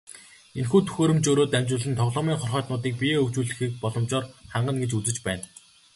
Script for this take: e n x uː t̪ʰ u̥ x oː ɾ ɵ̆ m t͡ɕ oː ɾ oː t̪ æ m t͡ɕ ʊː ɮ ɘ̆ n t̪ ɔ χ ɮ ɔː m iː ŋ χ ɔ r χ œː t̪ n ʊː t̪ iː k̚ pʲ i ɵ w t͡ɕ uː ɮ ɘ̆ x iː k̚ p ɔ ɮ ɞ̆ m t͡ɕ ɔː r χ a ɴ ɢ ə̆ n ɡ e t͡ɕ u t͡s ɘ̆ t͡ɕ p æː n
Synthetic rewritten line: e n x uː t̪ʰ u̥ x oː ɾ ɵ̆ m t͡ɕ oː ɾ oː t̪ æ m t͡ɕ ʊː ɮ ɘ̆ n t̪ʰ ɔ ʁ ɮ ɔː m iː ŋ χ ɔ r χ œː t̪ n ʊː t̪ iː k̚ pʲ i ɵ w t͡ɕ uː ɮ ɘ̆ x iː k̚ p ɔ ɮ ɞ̆ m t͡ɕ ɔː r χ a ɴ ɢ ə̆ n ɡ e t͡ɕ u t͡s ɘ̆ t͡ɕ p æː n